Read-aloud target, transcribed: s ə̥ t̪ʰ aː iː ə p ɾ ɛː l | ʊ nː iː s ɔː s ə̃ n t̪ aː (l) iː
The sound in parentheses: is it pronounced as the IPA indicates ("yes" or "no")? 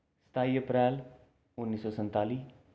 yes